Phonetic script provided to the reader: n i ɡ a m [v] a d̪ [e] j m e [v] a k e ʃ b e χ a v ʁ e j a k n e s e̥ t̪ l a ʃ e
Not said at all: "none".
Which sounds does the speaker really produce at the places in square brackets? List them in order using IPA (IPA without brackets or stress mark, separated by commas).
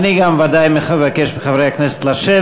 v, a, v